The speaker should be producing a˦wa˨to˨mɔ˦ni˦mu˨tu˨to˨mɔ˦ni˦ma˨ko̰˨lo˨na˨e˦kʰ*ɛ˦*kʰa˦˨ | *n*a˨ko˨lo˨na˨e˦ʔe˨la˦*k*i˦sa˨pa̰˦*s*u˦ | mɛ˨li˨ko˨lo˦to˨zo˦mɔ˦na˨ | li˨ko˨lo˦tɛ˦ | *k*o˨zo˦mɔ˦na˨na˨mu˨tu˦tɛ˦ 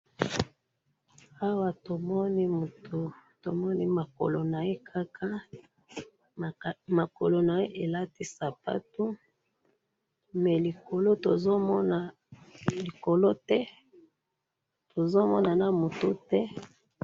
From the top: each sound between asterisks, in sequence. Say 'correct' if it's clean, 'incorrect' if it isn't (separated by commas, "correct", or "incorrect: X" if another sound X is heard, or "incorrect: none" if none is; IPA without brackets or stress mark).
incorrect: a˦, incorrect: m, incorrect: t, incorrect: t, incorrect: t